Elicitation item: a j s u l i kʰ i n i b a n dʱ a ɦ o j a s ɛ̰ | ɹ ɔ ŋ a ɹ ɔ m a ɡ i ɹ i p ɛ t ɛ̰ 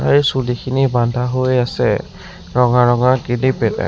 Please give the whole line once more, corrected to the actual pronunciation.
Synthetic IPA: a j s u l i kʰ i n i b a n dʱ a ɦ o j a s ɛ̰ | ɹ ɔ ŋ a ɹ ɔ ŋ a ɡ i l i p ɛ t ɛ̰